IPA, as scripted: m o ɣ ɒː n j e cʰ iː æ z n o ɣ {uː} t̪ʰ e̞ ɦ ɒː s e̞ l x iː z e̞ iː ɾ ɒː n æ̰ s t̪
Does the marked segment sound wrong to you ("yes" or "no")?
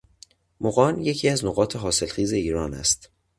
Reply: yes